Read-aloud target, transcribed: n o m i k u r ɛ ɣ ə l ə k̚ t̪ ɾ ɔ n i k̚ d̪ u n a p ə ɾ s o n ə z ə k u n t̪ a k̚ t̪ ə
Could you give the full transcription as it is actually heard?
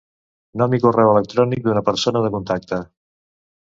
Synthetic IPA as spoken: n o m i k u r ɛ w ə l ə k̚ t̪ ɾ ɔ n i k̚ d̪ u n ə p ə ɾ s o n ə ð ə k u n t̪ a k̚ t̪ ə